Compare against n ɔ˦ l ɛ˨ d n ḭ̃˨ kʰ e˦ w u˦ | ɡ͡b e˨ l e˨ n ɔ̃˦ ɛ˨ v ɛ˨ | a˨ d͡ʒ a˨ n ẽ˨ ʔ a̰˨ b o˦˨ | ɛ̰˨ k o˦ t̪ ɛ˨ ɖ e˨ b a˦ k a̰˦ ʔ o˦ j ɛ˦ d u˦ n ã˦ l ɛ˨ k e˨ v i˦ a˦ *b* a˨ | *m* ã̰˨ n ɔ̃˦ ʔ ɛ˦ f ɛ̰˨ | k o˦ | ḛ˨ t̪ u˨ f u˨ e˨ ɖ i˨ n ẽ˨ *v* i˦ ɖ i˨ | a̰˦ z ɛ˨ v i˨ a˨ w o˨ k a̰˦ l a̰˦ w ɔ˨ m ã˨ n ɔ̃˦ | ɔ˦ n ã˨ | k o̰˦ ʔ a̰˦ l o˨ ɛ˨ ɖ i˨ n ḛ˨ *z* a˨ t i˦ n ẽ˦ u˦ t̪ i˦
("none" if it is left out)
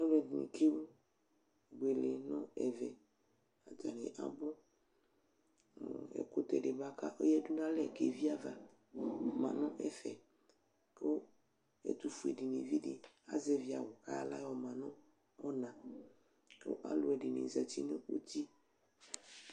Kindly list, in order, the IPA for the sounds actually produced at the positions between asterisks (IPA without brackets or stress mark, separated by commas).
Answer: v, m, v, z